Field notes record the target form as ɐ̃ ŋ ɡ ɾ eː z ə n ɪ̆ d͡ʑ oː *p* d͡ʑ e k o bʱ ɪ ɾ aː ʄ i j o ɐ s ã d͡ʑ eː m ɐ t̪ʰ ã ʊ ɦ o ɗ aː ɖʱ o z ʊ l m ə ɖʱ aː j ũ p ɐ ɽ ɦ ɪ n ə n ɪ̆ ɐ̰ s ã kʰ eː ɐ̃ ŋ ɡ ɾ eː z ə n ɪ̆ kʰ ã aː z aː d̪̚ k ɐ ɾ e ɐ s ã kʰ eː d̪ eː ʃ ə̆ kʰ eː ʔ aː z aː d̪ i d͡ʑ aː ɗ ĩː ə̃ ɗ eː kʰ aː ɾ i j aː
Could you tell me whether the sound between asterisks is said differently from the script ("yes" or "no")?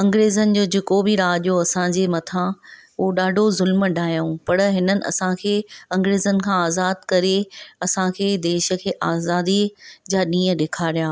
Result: yes